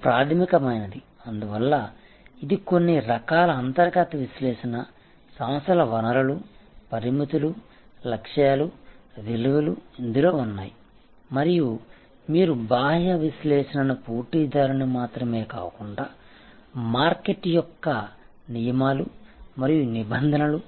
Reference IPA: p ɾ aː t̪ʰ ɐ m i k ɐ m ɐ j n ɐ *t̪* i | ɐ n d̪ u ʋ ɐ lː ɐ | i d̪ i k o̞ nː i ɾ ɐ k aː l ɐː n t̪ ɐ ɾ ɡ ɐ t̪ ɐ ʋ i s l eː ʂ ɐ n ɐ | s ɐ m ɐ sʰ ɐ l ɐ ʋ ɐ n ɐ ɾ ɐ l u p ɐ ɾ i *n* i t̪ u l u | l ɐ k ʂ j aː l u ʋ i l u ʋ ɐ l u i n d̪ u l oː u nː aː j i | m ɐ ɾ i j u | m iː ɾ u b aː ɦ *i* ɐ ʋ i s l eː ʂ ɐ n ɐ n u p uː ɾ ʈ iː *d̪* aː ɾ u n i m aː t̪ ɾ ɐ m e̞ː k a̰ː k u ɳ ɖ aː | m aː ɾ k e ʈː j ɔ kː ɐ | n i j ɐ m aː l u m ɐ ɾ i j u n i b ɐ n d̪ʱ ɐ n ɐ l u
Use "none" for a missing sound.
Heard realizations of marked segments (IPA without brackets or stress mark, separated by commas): d̪, m, j, d̪